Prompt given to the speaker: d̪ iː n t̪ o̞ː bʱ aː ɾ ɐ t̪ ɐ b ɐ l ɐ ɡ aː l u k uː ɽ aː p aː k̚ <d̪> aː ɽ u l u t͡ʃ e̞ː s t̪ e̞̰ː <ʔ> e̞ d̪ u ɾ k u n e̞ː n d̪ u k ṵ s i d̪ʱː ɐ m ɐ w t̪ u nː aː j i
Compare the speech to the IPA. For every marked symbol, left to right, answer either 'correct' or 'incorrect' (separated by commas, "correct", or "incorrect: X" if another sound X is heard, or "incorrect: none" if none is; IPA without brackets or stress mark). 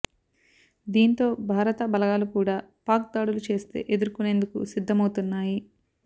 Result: correct, correct